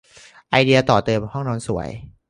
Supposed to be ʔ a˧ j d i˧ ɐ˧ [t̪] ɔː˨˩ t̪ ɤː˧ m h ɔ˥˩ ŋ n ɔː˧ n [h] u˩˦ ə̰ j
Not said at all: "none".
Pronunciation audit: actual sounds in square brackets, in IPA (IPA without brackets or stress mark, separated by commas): t̪, s